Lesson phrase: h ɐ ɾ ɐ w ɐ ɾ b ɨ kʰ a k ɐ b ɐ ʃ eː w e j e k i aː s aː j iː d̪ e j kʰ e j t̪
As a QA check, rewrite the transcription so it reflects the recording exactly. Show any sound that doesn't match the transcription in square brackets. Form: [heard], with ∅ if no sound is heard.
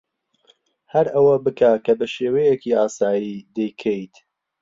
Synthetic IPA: h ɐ ɾ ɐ w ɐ [∅] b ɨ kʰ a k ɐ b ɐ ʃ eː w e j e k i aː s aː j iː d̪ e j kʰ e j t̪